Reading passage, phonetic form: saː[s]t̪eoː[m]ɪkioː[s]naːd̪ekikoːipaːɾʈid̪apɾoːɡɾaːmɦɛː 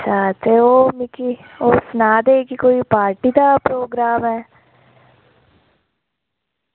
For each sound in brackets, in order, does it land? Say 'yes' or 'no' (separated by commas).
no, yes, yes